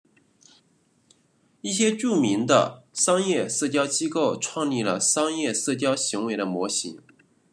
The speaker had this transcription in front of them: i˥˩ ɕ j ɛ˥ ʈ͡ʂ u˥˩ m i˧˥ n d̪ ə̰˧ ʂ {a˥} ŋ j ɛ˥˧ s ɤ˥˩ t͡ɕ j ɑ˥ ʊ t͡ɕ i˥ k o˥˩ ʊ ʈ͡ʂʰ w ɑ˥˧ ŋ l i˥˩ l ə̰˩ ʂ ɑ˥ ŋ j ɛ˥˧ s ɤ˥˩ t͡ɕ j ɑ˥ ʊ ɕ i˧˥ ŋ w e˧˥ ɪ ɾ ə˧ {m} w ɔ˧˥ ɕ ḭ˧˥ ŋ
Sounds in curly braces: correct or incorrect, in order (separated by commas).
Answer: incorrect, correct